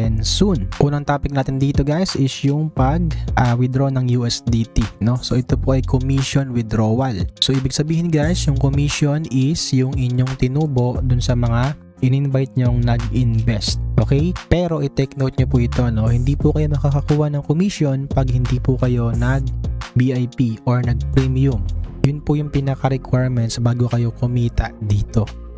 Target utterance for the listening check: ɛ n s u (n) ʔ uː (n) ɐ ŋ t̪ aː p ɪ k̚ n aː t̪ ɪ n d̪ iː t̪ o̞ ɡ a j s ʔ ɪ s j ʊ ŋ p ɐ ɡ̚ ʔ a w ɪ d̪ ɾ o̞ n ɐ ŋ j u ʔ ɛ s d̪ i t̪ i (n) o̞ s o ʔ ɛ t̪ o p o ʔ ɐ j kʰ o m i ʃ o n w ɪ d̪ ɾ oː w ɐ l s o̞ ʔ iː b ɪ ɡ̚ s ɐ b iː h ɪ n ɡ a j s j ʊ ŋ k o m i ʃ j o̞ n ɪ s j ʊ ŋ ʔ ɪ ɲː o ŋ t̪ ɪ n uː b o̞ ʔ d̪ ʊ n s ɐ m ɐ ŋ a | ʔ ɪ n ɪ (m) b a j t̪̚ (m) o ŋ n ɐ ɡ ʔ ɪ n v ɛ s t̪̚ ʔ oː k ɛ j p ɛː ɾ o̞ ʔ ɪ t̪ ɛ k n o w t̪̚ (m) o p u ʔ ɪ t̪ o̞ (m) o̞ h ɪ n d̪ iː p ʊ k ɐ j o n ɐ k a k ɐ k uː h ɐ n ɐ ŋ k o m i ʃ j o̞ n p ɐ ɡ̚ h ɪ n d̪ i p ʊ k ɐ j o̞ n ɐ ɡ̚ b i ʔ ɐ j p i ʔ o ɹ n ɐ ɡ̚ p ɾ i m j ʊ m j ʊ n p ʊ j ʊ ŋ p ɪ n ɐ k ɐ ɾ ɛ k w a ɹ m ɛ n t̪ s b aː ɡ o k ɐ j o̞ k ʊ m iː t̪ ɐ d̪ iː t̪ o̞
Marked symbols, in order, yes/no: yes, yes, yes, no, no, no, no

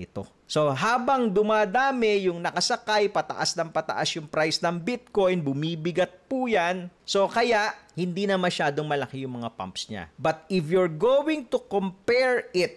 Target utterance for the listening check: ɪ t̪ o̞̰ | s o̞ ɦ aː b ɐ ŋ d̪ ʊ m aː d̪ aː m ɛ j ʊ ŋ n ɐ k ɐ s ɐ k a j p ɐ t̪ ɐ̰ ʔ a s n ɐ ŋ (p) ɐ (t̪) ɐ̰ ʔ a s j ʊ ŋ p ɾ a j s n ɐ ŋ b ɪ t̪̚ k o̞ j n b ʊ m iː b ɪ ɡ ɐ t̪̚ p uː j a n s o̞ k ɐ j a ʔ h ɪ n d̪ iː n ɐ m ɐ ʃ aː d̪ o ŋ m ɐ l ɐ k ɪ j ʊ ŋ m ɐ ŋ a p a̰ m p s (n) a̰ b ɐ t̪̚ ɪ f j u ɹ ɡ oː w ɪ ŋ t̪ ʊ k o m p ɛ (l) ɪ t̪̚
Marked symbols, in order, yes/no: yes, yes, no, no

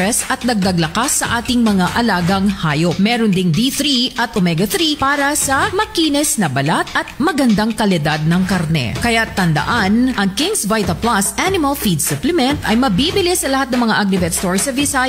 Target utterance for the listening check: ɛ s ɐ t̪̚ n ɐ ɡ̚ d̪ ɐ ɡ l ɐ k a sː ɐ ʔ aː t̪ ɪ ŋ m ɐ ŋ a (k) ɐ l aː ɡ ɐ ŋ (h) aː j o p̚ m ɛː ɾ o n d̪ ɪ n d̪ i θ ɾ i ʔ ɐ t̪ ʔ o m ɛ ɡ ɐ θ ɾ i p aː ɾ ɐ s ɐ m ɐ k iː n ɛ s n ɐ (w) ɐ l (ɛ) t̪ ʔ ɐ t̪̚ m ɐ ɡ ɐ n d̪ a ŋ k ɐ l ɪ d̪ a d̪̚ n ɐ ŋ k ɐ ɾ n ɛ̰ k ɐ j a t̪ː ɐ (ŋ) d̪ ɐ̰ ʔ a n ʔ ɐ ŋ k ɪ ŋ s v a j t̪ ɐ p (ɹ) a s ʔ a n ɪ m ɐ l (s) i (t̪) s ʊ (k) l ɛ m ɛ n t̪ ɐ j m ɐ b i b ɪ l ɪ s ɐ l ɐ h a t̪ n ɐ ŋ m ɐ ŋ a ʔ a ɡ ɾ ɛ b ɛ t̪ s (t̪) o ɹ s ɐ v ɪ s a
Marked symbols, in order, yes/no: no, yes, no, no, no, no, no, no, no, yes

